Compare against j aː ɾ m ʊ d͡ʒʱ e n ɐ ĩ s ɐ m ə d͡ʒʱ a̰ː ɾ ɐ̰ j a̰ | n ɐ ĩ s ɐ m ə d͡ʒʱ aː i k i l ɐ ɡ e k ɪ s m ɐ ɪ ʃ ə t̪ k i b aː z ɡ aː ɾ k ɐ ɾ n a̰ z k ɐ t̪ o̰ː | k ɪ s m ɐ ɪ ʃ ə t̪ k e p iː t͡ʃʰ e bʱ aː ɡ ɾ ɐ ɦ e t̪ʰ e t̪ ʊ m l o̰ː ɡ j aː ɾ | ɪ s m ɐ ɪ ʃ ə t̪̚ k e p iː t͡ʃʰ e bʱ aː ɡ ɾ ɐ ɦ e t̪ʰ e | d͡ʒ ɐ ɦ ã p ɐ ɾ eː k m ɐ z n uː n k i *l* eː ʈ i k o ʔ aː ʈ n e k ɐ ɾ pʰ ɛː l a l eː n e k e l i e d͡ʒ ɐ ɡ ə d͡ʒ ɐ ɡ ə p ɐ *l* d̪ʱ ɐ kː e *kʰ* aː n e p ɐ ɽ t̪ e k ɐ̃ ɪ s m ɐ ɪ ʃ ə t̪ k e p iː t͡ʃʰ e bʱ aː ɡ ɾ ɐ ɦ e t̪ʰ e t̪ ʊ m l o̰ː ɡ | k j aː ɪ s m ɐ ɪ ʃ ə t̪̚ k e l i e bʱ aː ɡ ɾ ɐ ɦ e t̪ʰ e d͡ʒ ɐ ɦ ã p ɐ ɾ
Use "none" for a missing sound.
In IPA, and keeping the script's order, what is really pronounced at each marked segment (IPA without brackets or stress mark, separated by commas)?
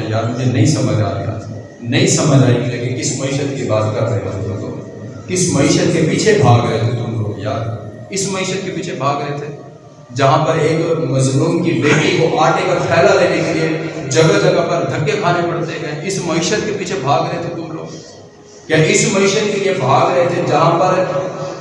l, ɾ, kʰ